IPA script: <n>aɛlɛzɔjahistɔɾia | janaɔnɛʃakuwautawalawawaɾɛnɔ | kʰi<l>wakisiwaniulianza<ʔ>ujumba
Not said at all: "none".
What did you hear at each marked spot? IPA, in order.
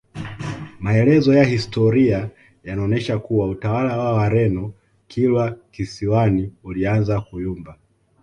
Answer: m, l, k

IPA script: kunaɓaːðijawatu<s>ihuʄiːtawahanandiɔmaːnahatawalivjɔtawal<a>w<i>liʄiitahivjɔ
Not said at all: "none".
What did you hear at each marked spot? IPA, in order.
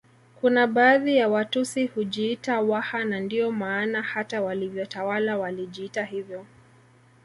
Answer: s, a, a

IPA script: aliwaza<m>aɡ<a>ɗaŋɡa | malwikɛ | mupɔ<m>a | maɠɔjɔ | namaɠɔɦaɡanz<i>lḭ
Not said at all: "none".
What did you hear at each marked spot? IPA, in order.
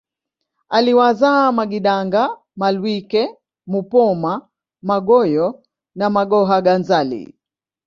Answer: m, i, m, a

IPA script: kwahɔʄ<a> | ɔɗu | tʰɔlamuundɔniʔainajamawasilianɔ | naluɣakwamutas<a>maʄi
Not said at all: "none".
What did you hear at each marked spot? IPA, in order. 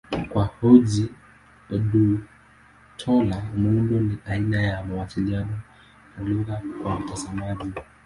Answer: i, a

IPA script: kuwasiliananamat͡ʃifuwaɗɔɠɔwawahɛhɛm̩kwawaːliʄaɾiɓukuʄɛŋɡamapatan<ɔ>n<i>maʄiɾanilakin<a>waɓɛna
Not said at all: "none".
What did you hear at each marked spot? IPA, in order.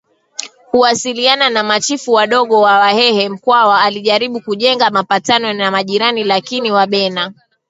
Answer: ɔ, a, i

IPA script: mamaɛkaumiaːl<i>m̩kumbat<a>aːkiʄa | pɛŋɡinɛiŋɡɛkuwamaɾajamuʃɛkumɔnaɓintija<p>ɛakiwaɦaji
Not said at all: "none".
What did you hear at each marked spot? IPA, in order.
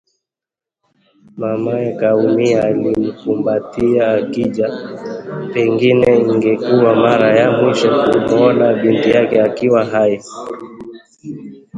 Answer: i, i, k

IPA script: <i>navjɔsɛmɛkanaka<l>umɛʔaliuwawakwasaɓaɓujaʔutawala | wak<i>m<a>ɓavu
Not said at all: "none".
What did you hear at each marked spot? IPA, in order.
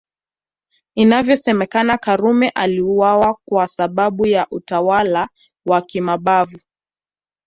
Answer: i, ɾ, i, a

